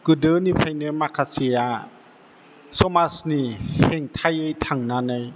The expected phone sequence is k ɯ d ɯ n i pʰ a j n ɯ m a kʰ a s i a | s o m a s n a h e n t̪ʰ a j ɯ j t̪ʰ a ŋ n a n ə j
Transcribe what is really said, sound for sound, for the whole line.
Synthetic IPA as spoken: k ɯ d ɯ n i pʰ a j n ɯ m a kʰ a s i a | s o m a s n i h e ŋ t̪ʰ a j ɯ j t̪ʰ a ŋ n a n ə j